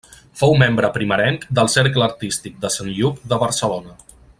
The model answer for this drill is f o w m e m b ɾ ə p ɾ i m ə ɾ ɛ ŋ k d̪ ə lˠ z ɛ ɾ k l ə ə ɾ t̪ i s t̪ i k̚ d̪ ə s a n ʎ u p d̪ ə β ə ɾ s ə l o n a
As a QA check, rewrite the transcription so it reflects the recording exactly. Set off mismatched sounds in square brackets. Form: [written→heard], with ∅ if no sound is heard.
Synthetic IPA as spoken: f o w m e m b ɾ ə p ɾ i m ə ɾ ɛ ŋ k d̪ ə lˠ [z→s] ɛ ɾ k l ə ə ɾ t̪ i s t̪ i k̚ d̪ ə s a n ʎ u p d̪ ə β ə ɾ s ə l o n [a→ə]